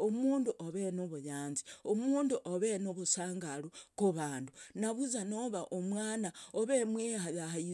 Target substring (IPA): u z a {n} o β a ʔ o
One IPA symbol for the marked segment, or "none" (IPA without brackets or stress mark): n